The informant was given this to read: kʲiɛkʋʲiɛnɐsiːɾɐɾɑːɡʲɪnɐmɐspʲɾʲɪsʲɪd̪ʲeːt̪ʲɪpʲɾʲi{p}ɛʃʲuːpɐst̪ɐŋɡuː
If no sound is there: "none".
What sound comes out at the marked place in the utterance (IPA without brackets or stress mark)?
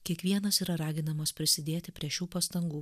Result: none